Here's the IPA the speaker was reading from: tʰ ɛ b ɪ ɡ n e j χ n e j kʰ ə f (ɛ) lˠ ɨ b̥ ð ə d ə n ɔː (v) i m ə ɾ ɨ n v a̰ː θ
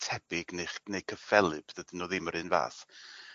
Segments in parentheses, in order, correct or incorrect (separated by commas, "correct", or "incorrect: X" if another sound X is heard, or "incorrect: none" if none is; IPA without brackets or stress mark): correct, incorrect: ð